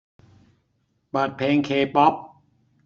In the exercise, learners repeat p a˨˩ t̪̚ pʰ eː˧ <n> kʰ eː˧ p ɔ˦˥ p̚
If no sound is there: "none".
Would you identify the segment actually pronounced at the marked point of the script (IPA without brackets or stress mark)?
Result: ŋ